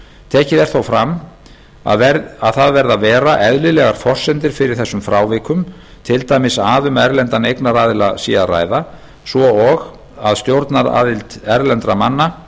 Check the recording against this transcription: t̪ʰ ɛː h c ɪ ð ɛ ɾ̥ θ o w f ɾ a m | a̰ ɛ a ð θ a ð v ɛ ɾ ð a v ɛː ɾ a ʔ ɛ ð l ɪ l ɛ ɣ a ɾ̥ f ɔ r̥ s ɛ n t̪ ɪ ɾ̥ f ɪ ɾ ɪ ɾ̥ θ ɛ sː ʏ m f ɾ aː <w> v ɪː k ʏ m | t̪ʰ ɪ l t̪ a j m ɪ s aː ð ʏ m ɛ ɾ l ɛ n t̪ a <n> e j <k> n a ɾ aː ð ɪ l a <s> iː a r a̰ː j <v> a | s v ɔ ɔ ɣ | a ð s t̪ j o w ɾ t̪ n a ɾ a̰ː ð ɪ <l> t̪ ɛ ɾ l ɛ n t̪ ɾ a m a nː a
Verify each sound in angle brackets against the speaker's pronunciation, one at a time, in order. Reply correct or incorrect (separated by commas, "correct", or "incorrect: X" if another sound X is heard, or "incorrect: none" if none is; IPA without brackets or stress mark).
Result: correct, correct, correct, correct, incorrect: ð, correct